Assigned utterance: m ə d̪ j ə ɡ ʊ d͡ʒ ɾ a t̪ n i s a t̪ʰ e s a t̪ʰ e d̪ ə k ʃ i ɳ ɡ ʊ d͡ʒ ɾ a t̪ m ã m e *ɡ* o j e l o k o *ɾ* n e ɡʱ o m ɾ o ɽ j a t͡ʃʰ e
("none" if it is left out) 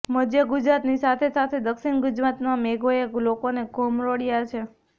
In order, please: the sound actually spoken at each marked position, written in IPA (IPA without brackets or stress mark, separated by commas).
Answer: ɡ, none